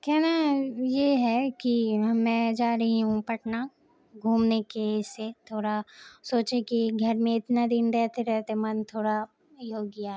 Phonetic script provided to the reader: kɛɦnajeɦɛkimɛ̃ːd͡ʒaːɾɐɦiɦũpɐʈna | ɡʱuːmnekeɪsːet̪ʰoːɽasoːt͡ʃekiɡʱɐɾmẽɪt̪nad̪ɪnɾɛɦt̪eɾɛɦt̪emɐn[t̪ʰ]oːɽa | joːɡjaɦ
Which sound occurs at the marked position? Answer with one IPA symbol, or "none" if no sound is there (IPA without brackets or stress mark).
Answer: t̪ʰ